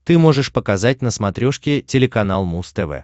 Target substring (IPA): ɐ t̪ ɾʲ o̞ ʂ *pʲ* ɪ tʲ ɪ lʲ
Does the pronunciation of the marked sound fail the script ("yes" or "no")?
yes